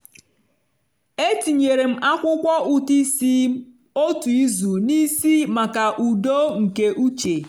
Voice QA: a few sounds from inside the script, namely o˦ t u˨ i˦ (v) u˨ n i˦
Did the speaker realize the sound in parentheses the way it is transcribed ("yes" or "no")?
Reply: no